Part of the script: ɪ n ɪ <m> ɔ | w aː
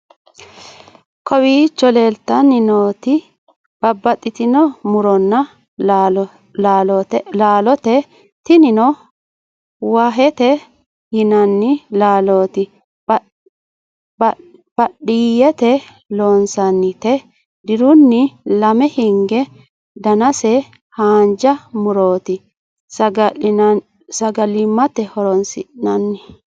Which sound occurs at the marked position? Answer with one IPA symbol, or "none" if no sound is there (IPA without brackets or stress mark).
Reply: n